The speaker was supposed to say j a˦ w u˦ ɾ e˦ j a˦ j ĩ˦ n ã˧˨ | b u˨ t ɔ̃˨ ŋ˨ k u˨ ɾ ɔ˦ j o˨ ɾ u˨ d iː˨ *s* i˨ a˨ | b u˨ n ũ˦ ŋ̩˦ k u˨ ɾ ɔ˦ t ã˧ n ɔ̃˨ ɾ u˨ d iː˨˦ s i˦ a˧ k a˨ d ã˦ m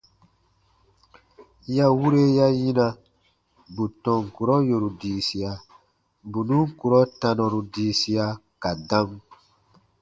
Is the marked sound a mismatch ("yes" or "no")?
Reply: no